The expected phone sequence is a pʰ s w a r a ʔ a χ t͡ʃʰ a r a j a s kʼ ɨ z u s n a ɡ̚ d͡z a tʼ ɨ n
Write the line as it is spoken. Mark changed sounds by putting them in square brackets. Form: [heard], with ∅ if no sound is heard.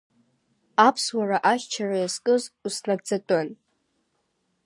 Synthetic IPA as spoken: a pʰ s w a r a ʔ a [ʃ] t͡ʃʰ a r a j a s kʼ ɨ z u s n a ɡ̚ d͡z a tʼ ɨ n